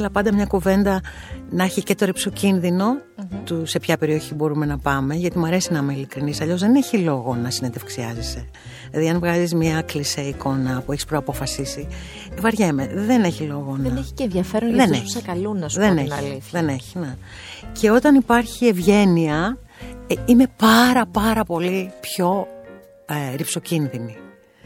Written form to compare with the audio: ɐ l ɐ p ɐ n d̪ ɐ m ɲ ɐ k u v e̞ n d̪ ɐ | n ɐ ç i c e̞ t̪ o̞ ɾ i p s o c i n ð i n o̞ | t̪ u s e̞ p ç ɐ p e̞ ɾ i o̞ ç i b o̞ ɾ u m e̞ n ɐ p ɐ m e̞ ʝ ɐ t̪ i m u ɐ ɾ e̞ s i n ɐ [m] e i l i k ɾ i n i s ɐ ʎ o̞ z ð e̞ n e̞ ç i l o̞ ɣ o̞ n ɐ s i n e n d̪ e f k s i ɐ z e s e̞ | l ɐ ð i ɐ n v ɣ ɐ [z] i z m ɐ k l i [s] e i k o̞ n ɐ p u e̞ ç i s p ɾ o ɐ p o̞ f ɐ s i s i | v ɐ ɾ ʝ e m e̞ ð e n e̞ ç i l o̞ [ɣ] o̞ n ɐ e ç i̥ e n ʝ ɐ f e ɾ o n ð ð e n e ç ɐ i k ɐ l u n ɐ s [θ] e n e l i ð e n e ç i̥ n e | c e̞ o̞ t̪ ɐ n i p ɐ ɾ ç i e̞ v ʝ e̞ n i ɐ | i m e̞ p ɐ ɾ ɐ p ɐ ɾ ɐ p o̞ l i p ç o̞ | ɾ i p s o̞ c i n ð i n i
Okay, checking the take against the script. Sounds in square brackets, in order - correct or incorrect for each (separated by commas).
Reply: correct, correct, correct, correct, incorrect